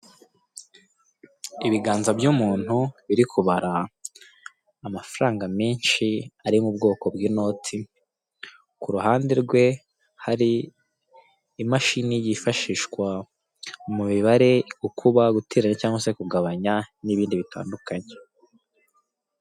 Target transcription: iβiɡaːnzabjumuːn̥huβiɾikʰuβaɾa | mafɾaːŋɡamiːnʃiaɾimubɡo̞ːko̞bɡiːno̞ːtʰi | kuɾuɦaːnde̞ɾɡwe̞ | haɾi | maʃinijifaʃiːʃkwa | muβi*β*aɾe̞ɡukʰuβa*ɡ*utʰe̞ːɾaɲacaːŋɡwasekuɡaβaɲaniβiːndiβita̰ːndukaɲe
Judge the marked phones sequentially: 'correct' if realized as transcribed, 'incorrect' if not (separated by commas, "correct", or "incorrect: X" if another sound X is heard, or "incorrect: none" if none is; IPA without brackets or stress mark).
correct, correct